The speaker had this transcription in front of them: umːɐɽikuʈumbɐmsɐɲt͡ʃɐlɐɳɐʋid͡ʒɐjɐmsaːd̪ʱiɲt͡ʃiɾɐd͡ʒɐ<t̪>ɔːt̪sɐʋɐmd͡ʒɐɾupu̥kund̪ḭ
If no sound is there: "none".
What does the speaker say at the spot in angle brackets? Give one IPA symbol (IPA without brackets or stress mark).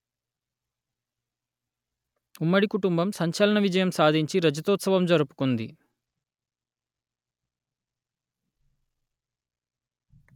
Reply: t̪